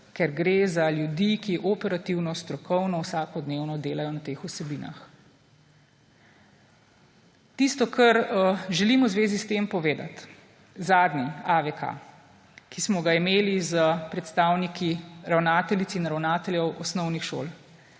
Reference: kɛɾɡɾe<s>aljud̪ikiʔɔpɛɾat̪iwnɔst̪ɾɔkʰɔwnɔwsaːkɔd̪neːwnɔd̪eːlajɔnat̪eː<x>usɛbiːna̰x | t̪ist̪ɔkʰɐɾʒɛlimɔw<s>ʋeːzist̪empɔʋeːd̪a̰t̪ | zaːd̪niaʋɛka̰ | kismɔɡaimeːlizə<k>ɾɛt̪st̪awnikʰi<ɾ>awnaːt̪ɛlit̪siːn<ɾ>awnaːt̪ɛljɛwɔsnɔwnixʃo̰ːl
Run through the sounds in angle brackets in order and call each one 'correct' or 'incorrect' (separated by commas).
incorrect, correct, incorrect, incorrect, correct, correct